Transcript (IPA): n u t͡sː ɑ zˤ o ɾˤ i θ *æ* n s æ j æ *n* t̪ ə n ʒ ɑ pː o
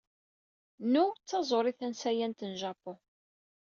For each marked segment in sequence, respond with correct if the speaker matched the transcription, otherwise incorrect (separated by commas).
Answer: correct, correct